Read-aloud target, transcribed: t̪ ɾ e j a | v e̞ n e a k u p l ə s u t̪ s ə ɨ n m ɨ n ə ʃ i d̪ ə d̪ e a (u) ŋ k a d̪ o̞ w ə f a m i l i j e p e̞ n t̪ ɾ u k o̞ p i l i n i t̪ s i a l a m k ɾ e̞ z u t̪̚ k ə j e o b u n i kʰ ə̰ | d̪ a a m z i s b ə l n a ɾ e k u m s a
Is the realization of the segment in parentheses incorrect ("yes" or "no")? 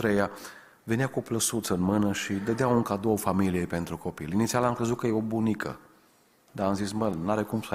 no